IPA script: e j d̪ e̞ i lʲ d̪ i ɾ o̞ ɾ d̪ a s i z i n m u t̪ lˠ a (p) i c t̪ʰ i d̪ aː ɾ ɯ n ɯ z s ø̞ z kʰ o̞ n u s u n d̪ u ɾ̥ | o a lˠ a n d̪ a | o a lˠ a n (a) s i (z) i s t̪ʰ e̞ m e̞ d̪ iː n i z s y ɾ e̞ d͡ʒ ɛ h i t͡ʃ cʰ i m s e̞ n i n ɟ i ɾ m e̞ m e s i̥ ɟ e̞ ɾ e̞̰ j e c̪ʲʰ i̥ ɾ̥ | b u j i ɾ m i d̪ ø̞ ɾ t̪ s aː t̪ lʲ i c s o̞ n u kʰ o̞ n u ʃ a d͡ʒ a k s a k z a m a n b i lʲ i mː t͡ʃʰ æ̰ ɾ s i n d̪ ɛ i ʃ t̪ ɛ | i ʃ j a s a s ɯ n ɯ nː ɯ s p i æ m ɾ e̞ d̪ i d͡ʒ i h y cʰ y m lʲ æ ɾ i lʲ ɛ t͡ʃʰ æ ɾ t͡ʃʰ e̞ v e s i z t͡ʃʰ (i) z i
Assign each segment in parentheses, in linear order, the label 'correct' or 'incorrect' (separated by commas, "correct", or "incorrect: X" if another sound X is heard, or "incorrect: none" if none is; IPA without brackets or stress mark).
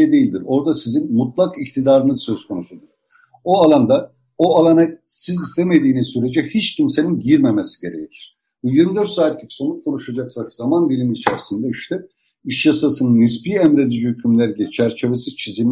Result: incorrect: k, correct, correct, correct